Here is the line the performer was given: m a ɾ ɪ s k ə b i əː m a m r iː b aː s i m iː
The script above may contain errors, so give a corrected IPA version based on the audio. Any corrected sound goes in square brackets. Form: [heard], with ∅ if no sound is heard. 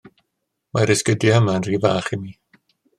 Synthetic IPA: m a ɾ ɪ s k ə [d] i [ə] m a [n] r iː [v] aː [χ] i m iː